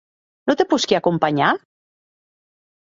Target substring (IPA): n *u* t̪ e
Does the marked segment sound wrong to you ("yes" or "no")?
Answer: yes